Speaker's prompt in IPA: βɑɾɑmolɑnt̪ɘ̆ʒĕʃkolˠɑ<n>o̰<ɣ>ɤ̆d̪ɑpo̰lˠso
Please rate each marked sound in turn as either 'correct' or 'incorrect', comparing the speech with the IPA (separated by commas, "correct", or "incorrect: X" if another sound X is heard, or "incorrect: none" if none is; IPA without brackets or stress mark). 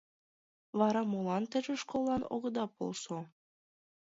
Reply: correct, correct